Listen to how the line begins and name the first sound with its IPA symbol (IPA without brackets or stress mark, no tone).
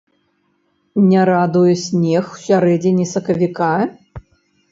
nʲ